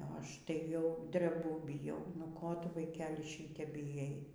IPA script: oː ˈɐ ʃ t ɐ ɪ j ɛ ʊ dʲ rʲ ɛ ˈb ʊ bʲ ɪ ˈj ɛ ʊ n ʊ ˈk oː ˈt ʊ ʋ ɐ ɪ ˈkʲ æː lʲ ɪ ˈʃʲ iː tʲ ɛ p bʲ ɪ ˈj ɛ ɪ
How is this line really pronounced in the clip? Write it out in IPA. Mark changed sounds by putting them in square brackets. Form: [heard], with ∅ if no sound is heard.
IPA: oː ˈɐ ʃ t ɐ ɪ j ɛ ʊ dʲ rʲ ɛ ˈb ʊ bʲ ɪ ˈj ɛ ʊ n ʊ ˈk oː ˈt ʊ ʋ ɐ ɪ ˈkʲ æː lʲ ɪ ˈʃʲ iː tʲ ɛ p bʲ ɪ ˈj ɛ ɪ